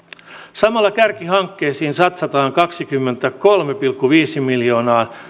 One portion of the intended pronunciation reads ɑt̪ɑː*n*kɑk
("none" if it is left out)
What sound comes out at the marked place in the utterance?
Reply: ŋ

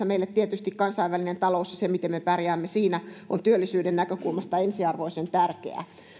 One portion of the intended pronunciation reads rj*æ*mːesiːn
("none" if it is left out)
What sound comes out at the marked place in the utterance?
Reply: æː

